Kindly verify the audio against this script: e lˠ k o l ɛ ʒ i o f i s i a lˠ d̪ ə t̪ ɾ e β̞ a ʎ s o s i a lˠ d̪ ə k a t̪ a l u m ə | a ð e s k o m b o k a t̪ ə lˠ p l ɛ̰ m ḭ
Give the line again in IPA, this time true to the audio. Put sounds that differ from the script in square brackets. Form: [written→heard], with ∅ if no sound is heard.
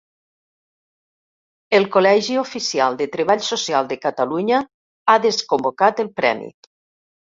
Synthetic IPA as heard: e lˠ k o l ɛ ʒ i o f i s i a lˠ d̪ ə t̪ ɾ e β̞ a ʎ s o s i a lˠ d̪ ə k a t̪ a l u [m→ɲ] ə | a ð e s k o m b o k a t̪ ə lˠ p [l→ɾ] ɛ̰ m ḭ